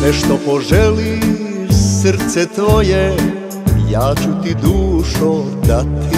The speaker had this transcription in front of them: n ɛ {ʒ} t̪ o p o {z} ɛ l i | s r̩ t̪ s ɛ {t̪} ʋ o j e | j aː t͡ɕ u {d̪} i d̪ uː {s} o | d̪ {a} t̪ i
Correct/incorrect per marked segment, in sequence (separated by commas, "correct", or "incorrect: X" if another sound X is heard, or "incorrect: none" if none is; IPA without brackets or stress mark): incorrect: ʃ, incorrect: ʒ, correct, incorrect: t̪, incorrect: ʃ, correct